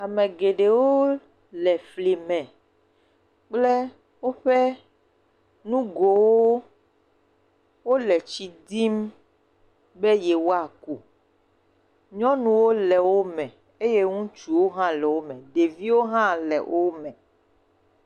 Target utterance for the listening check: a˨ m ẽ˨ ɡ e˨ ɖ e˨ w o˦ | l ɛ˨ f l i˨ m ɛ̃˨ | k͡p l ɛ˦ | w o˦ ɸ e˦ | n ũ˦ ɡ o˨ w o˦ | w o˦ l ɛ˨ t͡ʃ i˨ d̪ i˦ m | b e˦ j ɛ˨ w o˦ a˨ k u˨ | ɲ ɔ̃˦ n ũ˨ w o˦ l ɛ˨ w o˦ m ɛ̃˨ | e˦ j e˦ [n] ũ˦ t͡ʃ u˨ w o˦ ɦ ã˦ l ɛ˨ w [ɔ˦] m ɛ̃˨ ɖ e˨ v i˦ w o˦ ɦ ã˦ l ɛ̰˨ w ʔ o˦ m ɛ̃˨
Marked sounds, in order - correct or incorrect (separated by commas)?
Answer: incorrect, incorrect